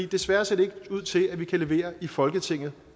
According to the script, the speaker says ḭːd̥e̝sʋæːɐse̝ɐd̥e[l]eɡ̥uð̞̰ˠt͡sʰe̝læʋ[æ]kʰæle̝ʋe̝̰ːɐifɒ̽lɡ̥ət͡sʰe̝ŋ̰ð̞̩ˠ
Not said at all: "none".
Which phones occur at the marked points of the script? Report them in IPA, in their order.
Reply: none, i

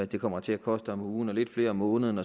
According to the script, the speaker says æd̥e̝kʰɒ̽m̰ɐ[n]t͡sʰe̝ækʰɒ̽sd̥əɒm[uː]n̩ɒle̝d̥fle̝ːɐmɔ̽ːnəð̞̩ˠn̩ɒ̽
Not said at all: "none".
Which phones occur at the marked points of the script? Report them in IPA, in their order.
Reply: none, uː

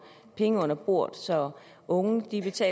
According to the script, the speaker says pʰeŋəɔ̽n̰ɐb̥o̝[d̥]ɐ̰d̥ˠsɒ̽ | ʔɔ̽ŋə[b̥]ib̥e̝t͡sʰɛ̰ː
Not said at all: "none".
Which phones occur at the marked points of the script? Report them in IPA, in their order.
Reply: none, d̥

